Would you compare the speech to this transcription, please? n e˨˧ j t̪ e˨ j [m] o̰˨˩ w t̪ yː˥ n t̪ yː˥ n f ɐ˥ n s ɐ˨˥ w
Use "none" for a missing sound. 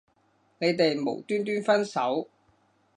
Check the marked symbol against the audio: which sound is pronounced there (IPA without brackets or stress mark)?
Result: m